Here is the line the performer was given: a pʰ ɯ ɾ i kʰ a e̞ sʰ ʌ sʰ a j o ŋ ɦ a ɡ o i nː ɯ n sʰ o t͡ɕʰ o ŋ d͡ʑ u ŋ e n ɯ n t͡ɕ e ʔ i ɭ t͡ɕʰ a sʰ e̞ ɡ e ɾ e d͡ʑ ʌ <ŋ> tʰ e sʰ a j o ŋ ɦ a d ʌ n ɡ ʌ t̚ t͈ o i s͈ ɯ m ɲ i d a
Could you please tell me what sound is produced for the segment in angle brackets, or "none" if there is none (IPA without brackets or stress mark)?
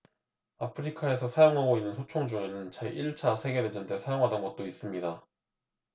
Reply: n